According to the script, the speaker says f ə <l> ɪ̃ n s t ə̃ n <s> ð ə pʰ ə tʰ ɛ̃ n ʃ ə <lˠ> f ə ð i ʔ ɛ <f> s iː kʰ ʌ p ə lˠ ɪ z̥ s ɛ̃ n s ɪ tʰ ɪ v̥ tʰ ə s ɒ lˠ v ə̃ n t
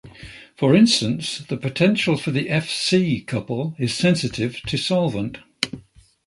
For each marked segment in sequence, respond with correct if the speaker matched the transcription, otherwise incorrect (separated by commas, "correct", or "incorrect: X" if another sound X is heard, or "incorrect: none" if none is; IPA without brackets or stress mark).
incorrect: ɹ, correct, correct, correct